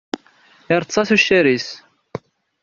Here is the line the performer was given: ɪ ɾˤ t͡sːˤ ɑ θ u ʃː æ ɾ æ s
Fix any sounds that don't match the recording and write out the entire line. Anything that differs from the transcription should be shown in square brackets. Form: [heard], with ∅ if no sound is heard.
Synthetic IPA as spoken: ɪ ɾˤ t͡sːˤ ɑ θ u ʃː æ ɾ [i] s